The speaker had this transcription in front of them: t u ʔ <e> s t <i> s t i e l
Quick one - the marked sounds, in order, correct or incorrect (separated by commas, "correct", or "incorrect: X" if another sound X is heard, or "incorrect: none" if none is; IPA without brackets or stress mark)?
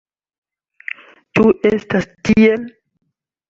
correct, incorrect: a